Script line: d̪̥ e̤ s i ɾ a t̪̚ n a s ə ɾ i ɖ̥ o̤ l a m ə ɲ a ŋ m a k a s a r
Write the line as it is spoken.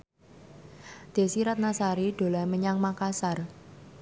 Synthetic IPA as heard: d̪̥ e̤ s i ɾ a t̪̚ n a s a ɾ i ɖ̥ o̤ l a m ə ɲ a ŋ m a k a s a r